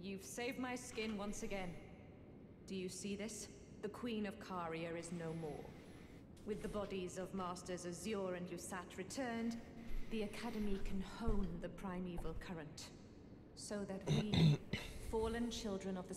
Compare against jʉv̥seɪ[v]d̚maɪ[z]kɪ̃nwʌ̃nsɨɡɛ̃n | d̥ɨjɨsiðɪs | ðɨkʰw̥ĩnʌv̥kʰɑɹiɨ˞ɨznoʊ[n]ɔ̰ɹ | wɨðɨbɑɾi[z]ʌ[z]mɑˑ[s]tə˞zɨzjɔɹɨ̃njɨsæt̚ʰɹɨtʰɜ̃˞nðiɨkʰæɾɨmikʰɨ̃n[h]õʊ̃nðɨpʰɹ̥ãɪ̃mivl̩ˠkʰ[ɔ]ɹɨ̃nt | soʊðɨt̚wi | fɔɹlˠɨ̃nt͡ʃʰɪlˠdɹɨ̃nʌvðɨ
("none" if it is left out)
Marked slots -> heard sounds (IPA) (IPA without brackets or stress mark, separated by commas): v, s, m, z, v, s, h, ʌ